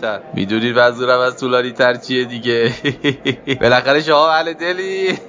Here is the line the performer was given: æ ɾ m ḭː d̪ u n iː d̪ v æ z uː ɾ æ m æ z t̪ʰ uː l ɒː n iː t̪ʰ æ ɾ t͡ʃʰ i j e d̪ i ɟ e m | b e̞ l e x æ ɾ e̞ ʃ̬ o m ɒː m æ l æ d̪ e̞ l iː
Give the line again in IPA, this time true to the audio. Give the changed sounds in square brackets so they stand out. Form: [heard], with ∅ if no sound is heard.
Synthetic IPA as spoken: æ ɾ m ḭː d̪ u n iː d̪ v æ z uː ɾ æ m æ z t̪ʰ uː l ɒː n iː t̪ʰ æ ɾ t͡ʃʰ i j e d̪ i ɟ e [∅] | b e̞ l [æ] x æ ɾ e̞ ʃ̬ o m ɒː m æ l [e] d̪ e̞ l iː